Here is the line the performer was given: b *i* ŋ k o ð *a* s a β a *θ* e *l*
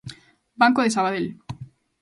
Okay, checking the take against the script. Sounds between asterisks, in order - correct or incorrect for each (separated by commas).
incorrect, incorrect, incorrect, correct